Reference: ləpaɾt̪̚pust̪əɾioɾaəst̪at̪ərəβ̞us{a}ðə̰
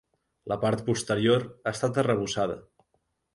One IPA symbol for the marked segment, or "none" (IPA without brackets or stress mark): a